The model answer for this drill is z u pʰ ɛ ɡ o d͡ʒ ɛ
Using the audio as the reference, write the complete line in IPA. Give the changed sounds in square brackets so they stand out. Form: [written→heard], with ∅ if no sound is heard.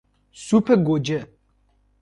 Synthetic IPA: [z→s] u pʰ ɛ ɡ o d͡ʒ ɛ